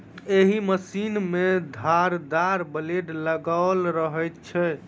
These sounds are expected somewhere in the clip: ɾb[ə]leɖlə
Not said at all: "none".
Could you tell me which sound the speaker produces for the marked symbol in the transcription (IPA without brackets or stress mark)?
ə